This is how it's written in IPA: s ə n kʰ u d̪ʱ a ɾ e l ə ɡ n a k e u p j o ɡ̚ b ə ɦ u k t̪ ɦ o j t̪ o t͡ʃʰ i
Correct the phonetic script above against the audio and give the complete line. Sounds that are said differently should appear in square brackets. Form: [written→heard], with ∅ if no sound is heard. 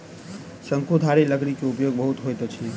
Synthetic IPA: s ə [n→ŋ] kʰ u d̪ʱ a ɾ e l ə ɡ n [a→i] k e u p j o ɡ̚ b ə ɦ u [k→∅] t̪ ɦ o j t̪ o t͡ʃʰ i